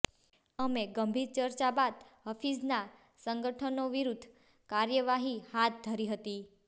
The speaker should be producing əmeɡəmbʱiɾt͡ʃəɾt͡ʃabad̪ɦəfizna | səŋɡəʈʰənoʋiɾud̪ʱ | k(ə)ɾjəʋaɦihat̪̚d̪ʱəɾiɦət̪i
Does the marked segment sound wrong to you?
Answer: yes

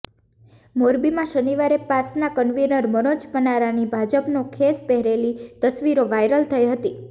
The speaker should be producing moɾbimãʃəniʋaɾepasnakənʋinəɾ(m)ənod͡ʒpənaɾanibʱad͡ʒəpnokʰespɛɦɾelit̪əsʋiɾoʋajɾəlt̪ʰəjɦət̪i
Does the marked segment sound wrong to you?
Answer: no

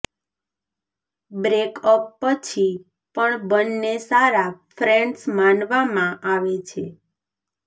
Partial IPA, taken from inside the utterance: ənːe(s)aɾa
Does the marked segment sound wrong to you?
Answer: no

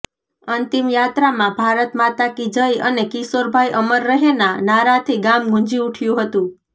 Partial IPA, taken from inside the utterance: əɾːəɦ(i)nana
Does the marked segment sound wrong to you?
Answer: yes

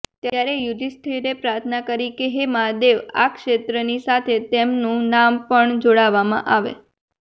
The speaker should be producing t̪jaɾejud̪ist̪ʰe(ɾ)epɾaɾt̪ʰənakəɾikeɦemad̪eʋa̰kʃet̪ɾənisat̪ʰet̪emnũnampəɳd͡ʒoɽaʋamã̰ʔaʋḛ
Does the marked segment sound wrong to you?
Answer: no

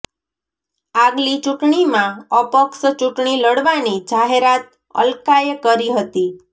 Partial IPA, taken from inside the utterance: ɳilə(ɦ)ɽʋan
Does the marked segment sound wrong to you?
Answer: yes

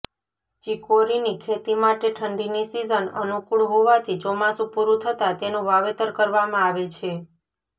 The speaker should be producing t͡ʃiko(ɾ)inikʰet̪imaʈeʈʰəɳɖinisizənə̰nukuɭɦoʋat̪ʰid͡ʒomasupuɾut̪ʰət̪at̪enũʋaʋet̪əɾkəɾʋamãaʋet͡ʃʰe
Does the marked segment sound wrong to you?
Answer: no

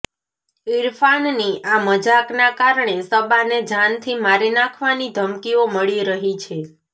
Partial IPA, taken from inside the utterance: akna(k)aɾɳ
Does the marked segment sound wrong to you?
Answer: no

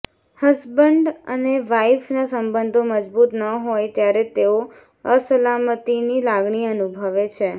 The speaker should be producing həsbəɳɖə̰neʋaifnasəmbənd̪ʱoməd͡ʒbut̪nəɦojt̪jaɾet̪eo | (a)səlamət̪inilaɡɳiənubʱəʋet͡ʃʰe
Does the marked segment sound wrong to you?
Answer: yes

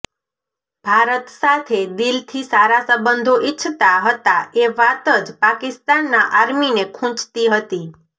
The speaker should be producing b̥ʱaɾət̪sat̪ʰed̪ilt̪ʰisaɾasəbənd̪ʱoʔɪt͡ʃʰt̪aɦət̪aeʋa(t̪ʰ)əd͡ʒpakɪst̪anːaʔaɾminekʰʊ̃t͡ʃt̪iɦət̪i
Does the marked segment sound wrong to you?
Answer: yes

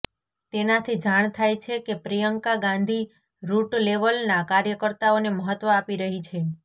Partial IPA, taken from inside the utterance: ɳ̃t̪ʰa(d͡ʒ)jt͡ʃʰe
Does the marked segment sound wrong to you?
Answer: yes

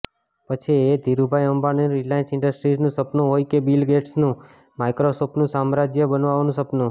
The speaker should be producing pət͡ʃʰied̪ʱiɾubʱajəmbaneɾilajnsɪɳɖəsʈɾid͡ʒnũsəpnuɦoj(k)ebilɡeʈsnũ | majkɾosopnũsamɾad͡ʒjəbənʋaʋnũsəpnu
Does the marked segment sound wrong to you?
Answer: no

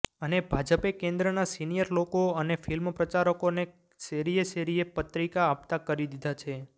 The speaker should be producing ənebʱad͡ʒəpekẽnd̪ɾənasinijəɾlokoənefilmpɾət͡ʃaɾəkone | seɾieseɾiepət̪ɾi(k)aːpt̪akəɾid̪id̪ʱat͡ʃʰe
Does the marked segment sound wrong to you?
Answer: no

